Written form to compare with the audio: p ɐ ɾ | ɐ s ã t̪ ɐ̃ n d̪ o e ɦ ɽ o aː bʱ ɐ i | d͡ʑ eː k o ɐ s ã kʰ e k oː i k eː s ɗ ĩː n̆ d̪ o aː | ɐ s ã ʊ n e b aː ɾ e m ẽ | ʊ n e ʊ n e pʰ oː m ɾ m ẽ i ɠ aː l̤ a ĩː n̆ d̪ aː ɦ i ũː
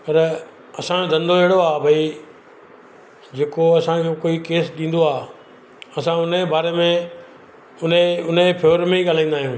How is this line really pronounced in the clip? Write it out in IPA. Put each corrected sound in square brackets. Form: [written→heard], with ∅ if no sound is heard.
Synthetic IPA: p ɐ ɾ | ɐ s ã [t̪→d̪] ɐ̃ n d̪ o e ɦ ɽ o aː bʱ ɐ i | d͡ʑ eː k o ɐ s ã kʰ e k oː i k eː s ɗ ĩː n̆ d̪ o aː | ɐ s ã ʊ n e b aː ɾ e m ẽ | ʊ n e ʊ n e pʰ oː [m→∅] ɾ m ẽ i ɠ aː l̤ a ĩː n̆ d̪ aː ɦ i ũː